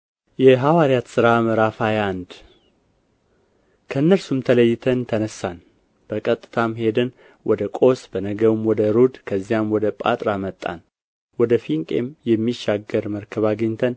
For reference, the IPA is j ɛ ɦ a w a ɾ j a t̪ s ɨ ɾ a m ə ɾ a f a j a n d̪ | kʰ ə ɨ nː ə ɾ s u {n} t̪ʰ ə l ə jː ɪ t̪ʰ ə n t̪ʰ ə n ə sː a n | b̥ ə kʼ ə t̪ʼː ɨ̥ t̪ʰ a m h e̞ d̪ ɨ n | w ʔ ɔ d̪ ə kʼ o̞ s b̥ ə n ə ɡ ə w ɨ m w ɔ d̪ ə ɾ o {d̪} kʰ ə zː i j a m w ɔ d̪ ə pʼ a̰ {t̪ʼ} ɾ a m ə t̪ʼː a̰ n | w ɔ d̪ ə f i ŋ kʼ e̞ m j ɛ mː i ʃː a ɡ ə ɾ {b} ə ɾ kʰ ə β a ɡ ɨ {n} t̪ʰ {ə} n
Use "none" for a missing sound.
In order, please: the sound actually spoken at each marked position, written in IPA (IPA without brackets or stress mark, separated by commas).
m, d̪, t̪ʼ, m, ɲ, ə